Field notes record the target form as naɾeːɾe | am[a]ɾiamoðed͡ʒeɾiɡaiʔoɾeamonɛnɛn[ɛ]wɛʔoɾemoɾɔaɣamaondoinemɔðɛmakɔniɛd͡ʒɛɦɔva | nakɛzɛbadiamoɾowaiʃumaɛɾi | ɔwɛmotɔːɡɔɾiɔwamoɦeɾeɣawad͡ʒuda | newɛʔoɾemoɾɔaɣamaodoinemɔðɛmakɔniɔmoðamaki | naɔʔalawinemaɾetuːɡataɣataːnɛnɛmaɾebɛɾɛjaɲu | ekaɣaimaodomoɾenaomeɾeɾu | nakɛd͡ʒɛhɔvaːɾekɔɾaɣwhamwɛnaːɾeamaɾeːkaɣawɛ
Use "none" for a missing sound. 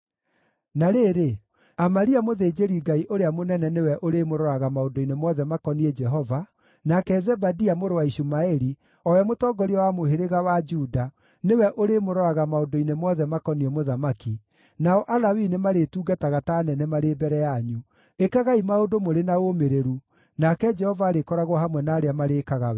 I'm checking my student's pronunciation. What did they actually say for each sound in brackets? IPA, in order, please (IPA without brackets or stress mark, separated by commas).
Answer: a, e